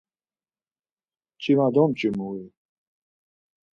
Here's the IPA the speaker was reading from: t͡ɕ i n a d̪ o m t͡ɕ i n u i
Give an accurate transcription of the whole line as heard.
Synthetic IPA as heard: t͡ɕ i m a d̪ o m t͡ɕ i m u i